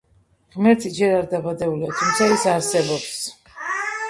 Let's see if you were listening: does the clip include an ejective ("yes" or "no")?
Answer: no